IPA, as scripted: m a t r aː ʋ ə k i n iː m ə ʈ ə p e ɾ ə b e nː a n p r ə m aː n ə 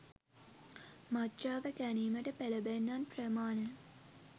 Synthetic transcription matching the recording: m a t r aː ʋ ə k æ n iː m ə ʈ ə p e l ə b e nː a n p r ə m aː n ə